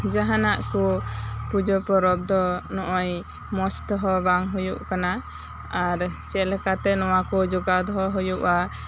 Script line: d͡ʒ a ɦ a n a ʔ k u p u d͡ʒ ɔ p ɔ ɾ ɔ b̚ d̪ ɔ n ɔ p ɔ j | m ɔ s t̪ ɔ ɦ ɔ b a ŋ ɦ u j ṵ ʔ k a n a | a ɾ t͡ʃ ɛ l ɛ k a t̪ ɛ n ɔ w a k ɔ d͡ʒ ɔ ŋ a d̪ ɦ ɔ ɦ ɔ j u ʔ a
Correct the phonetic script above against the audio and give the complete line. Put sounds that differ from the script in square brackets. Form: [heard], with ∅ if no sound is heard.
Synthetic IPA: d͡ʒ a ɦ a n a ʔ k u p u d͡ʒ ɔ p ɔ ɾ ɔ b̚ d̪ ɔ n ɔ [ʔ] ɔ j | m ɔ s t̪ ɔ ɦ ɔ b a ŋ ɦ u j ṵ ʔ k a n a | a ɾ t͡ʃ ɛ l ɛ k a t̪ ɛ n ɔ w a k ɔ d͡ʒ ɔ [ɡ] a d̪ ɦ ɔ ɦ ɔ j u ʔ a